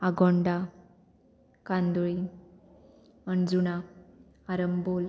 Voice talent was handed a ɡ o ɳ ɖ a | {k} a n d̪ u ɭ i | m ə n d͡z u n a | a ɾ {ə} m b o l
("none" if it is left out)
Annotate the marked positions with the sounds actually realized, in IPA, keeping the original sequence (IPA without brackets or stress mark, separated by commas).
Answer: k, ə